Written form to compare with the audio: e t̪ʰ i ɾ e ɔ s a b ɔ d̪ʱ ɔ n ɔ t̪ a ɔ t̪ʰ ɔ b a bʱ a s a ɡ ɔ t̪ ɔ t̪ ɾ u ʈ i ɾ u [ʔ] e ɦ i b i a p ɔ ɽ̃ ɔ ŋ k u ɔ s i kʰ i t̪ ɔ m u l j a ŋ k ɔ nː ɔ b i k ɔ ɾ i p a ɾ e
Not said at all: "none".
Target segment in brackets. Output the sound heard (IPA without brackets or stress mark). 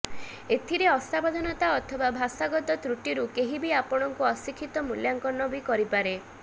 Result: k